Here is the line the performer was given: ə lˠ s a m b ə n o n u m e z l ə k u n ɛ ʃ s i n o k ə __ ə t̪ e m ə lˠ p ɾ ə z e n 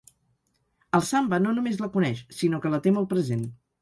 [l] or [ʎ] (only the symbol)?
l